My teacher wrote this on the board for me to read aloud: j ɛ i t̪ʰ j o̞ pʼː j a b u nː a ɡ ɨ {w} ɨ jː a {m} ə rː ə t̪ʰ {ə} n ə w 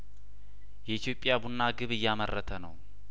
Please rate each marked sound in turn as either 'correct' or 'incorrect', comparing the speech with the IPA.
incorrect: β, correct, correct

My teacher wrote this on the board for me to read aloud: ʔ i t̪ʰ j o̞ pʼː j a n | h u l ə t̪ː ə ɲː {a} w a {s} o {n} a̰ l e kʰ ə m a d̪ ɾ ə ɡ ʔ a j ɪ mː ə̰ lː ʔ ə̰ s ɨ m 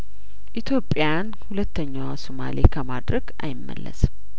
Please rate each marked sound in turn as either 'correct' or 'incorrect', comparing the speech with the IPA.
correct, correct, incorrect: m

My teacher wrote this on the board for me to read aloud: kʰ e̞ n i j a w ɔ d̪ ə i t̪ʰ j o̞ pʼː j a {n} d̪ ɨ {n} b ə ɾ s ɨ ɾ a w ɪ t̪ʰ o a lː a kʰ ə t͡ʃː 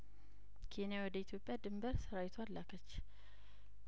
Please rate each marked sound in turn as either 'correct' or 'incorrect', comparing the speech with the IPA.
incorrect: none, incorrect: m

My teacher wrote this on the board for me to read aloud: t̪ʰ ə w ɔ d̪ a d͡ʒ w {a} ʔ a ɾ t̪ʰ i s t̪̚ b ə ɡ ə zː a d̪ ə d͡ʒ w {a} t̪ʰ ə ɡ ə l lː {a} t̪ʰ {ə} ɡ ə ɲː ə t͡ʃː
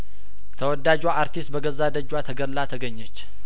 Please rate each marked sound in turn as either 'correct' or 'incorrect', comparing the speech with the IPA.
correct, correct, correct, correct

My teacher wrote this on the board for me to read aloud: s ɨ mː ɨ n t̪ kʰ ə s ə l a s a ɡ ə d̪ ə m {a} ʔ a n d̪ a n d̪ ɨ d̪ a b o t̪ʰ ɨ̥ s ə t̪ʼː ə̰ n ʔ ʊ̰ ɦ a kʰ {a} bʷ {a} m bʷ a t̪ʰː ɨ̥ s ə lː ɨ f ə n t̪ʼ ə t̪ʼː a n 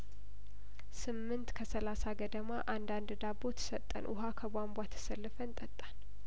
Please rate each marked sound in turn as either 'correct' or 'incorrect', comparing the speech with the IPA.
correct, incorrect: ə, correct

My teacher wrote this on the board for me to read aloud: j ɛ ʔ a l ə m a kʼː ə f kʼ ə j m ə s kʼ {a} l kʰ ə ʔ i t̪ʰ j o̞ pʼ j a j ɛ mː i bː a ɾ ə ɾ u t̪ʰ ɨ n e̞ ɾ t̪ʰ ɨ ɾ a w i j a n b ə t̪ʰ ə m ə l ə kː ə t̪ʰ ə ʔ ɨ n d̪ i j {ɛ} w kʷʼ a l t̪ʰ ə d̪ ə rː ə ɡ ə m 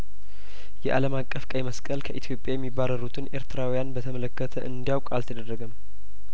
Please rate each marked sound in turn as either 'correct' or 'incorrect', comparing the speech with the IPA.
incorrect: ə, incorrect: a

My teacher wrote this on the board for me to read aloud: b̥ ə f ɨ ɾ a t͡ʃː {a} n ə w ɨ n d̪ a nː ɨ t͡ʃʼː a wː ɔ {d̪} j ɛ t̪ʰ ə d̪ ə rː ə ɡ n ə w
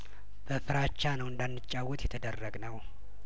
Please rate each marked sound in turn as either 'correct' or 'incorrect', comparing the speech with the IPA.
correct, incorrect: t̪

